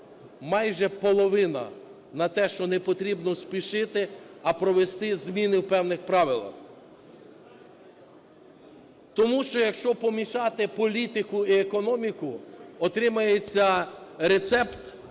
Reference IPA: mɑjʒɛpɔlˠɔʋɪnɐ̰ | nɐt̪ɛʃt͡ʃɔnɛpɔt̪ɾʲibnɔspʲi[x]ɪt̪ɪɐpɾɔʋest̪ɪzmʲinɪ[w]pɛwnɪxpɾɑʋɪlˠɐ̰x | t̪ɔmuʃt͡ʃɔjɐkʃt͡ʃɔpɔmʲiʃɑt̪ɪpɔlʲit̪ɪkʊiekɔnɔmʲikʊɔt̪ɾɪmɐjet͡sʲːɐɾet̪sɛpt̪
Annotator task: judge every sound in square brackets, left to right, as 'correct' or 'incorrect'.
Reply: incorrect: ʃ, correct

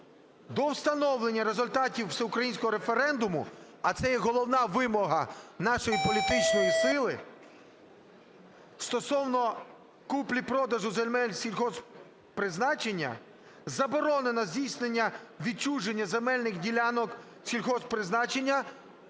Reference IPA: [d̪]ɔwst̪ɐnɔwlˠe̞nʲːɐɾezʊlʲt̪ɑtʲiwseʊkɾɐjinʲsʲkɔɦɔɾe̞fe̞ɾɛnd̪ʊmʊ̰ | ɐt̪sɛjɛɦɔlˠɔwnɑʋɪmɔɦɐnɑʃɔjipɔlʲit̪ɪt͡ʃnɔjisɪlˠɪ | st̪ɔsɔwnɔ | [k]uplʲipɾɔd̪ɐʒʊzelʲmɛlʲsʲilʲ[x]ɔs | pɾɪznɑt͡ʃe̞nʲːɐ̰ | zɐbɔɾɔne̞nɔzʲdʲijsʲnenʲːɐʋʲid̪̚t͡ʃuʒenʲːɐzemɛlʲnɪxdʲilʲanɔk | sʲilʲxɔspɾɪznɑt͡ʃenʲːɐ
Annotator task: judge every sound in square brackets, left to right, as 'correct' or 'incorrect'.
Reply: correct, correct, correct

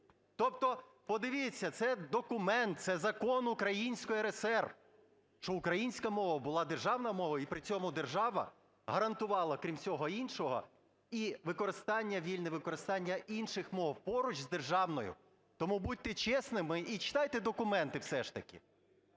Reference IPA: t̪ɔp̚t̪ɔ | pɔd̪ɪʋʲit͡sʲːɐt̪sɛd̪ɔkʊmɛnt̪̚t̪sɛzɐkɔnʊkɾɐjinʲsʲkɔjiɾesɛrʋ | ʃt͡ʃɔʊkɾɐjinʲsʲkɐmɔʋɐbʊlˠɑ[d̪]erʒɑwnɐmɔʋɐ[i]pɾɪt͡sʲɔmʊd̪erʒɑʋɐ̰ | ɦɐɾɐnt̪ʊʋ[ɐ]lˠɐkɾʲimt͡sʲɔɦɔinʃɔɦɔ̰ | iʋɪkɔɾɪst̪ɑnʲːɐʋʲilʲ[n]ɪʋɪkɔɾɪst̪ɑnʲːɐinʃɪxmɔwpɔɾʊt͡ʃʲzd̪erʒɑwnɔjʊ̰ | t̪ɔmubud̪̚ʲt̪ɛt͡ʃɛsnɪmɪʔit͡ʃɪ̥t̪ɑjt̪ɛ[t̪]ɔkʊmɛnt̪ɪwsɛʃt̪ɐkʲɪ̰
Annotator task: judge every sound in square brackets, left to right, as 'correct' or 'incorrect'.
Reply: correct, correct, incorrect: ɑ, correct, incorrect: d̪

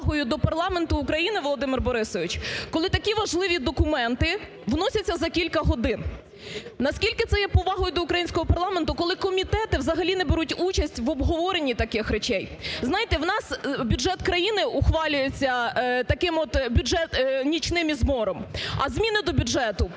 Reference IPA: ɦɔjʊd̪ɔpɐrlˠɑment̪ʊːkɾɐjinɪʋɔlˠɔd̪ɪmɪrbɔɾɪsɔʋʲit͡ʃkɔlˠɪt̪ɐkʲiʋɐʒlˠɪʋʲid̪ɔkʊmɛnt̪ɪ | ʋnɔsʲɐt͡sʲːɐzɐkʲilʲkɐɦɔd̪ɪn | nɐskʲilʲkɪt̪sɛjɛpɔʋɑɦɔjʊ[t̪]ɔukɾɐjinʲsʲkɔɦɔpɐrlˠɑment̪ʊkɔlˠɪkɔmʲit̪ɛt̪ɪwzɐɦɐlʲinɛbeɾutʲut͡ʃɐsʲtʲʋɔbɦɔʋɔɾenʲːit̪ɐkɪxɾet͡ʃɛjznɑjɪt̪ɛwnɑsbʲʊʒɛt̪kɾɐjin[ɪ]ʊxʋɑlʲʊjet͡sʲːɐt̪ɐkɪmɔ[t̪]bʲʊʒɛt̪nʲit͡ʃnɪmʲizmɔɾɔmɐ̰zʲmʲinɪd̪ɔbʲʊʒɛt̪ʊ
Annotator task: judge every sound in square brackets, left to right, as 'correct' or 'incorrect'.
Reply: incorrect: d̪, correct, correct

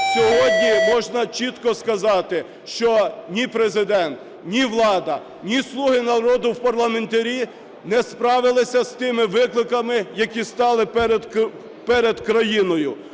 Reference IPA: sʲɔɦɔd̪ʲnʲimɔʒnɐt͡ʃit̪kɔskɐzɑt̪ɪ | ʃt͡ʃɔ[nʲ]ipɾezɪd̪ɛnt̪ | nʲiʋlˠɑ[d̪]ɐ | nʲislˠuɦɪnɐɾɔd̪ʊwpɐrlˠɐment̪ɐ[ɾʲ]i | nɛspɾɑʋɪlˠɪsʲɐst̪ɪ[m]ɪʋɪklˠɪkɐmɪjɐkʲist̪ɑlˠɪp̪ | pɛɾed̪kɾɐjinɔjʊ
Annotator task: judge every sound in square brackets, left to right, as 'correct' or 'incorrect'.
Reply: correct, correct, correct, correct

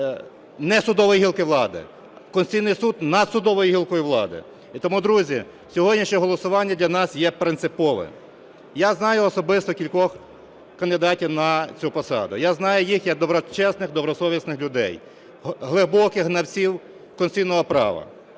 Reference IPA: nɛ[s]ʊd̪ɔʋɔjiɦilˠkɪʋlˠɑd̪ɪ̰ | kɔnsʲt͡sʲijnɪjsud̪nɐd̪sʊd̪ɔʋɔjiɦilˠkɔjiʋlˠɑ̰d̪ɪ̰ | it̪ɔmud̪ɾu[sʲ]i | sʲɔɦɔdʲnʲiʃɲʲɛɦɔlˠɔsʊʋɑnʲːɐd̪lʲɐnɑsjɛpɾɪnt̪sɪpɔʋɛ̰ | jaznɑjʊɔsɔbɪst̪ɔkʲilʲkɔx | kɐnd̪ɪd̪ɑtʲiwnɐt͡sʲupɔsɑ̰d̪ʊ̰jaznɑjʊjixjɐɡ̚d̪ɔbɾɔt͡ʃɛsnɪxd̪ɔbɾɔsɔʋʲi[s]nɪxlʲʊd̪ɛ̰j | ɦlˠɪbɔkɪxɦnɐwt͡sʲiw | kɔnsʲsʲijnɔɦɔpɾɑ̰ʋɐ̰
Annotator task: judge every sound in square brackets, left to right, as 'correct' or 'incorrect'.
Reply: correct, incorrect: zʲ, correct

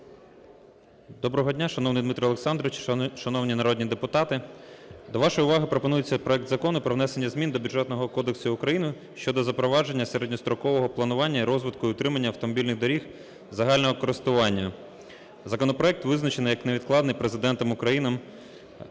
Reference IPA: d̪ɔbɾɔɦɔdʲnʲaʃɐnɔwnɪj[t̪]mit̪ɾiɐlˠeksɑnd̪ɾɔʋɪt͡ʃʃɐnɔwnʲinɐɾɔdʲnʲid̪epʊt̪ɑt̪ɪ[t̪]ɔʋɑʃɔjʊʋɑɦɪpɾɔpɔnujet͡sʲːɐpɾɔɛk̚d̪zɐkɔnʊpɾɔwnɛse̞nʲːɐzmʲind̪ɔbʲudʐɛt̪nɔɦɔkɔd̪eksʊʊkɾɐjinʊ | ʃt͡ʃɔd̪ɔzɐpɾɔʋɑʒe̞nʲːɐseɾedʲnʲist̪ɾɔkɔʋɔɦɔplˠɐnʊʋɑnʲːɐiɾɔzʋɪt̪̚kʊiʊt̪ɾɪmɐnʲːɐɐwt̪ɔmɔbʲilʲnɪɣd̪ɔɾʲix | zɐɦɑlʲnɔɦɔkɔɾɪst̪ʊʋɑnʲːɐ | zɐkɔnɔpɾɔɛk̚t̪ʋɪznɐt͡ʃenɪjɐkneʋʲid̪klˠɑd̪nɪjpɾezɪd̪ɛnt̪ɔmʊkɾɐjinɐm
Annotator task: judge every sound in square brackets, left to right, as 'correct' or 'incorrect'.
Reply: incorrect: d̪, incorrect: d̪

